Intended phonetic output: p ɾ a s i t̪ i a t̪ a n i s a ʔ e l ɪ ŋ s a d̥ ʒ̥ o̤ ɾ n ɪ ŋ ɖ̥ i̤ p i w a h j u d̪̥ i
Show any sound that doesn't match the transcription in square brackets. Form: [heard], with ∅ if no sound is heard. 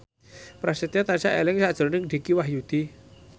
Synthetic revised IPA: p ɾ a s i t̪ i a t̪ a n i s a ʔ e l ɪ ŋ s a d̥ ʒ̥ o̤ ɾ n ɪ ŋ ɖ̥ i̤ [k] i w a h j u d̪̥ i